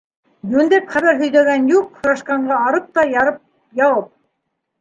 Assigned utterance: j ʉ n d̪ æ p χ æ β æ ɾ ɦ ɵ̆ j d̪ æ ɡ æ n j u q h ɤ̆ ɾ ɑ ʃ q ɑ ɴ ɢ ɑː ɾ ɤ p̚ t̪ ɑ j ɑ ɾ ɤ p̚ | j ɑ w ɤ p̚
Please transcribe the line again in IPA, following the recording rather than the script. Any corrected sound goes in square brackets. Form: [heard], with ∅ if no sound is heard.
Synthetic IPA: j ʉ n d̪ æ p χ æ β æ ɾ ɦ ɵ̆ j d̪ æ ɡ æ n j u q h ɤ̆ ɾ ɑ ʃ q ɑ ɴ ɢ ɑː ɾ ɤ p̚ t̪ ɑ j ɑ ɾ ɤ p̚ | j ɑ w ɤ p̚